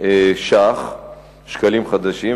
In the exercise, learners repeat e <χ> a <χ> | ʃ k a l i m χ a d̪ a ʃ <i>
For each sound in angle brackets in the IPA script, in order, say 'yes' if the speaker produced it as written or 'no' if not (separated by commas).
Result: no, yes, yes